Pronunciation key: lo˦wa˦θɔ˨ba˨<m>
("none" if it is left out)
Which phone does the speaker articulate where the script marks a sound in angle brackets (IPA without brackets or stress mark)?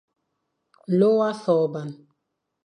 n